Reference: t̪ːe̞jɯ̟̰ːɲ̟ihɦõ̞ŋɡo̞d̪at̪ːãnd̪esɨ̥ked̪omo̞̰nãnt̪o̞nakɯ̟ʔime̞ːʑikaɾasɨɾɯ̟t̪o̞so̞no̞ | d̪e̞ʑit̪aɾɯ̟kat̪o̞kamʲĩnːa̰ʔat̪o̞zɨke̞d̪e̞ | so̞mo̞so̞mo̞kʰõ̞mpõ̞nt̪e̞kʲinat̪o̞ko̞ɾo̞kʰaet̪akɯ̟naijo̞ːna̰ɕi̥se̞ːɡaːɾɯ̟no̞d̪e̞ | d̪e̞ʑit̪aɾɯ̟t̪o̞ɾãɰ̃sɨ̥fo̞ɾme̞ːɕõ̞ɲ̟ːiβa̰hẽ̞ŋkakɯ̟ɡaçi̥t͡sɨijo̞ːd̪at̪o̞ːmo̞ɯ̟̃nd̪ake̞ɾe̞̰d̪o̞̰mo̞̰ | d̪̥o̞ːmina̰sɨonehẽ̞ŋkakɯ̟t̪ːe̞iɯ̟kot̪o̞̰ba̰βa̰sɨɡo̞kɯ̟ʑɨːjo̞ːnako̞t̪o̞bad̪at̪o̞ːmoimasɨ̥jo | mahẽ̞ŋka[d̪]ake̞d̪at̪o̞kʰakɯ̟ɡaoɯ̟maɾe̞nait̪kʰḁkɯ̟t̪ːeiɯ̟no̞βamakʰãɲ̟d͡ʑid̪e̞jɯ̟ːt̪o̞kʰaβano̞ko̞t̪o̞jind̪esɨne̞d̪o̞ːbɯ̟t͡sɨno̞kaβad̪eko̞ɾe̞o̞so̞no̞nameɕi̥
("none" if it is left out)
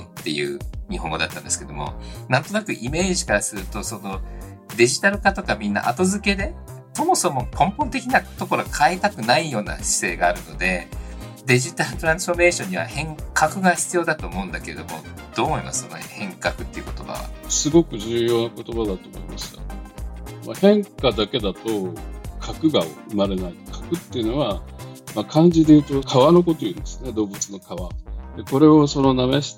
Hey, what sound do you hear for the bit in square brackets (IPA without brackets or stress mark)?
d̪